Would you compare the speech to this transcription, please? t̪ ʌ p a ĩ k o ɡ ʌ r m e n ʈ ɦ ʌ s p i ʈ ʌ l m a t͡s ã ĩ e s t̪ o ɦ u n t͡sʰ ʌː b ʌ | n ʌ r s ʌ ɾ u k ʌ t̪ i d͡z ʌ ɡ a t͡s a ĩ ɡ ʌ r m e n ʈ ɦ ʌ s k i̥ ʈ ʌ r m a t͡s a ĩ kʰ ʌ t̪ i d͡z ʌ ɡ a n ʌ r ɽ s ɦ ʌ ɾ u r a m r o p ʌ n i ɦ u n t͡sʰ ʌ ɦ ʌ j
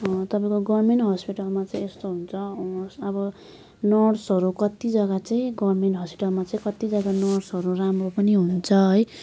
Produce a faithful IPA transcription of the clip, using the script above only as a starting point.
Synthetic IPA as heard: t̪ ʌ p a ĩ k o ɡ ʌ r m e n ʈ ɦ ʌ s p i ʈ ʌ l m a t͡s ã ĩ e s t̪ o ɦ u n t͡sʰ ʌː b ʌ | n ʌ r s ʌ ɾ u k ʌ t̪ i d͡z ʌ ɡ a t͡s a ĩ ɡ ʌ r m e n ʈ ɦ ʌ s p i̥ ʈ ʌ l m a t͡s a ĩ k ʌ t̪ i d͡z ʌ ɡ a n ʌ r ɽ s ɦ ʌ ɾ u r a m r o p ʌ n i ɦ u n t͡sʰ ʌ ɦ ʌ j

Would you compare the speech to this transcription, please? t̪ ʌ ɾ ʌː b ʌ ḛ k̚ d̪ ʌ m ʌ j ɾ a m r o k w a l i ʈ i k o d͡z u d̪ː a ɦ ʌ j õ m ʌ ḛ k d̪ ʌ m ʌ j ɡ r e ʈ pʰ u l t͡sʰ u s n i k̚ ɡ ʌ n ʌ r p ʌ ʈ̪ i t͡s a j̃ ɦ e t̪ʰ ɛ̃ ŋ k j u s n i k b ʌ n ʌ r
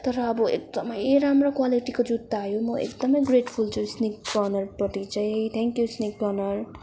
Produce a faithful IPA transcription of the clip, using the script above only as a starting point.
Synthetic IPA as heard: t̪ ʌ ɾ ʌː b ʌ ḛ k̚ d̪ ʌ m ʌ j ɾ a m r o k w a l i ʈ i k o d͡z u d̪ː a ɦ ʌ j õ m ʌ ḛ k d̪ ʌ m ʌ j ɡ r e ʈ pʰ u l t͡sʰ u s n i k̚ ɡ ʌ n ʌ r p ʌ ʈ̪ i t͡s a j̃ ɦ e t̪ʰ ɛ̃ ŋ k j u s n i k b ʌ n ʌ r

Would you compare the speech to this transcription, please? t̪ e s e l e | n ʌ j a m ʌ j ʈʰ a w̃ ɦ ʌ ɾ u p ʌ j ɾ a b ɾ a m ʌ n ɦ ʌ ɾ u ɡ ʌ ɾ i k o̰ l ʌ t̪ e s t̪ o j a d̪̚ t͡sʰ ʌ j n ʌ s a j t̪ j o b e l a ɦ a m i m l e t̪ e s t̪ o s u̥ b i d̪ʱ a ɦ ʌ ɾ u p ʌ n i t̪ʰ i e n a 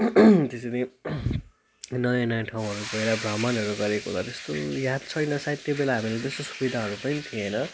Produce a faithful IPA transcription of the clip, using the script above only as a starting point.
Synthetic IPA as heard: t̪ e s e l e | n ʌ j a n ʌ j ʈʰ a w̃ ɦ ʌ ɾ u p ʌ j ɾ a b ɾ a m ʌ n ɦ ʌ ɾ u ɡ ʌ ɾ e k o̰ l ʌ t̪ e s t̪ o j a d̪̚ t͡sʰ ʌ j n ʌ s a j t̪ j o b e l a ɦ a m i l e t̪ e s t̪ o s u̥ b i d̪ʱ a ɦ ʌ ɾ u p ʌ n i t̪ʰ i e n ʌ

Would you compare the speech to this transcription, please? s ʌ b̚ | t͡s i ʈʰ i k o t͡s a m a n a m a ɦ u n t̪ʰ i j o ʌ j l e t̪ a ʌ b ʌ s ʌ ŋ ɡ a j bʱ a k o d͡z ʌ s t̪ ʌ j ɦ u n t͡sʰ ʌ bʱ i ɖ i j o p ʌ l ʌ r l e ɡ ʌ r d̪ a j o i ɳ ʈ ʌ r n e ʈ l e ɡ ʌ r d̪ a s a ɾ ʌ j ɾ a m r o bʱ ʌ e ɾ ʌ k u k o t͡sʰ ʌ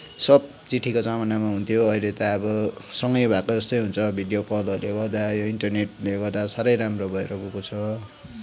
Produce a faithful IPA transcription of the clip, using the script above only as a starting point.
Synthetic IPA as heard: s ʌ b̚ | t͡s i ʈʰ i k o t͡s a m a n a m a ɦ u n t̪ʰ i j o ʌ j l e t̪ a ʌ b ʌ s ʌ ŋ ɡ ʌ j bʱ a k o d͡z ʌ s t̪ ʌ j ɦ u n t͡sʰ ʌ bʱ i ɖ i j o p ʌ l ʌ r l e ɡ ʌ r d̪ a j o i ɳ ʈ ʌ r n e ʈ l e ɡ ʌ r d̪ a s a ɾ ʌ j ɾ a m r o bʱ ʌ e ɾ ʌ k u k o t͡sʰ ʌ

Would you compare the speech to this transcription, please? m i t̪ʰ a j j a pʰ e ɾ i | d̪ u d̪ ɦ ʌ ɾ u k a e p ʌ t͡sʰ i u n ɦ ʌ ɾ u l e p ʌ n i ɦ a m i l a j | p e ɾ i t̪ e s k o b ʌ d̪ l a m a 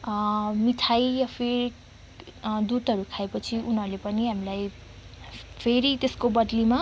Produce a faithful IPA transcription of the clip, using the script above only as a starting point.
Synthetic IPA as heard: m i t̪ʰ a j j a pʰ e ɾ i | d̪ u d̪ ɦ ʌ ɾ u kʰ a e p ʌ t͡sʰ i u n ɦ ʌ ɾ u l e p ʌ n i ɦ a m i l a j | pʰ e ɾ i t̪ e s k o b ʌ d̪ l i m a

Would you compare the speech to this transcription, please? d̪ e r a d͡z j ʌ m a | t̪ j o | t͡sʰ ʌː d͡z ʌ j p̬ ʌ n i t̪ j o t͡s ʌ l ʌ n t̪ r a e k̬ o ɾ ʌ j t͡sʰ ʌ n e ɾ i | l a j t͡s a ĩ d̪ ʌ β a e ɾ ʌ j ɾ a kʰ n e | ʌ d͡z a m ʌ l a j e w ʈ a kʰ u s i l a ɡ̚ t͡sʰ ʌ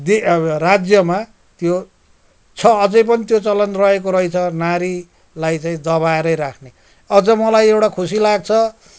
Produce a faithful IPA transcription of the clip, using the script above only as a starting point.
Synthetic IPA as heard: d̪ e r a d͡z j ʌ m a | t̪ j o | t͡sʰ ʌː d͡z ʌ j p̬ ʌ n i t̪ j o t͡s ʌ l ʌ n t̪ r ʌ e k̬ o ɾ ʌ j t͡sʰ ʌ n a ɾ i | l a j t͡s a ĩ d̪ ʌ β a e ɾ ʌ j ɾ a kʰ n e | ʌ d͡z ʌ m ʌ l a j e w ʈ a kʰ u s i l a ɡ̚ t͡sʰ ʌ

